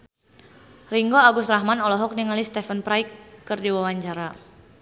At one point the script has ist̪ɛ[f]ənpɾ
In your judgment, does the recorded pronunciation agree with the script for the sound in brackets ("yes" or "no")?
yes